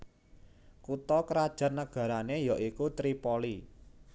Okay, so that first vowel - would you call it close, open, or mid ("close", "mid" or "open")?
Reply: close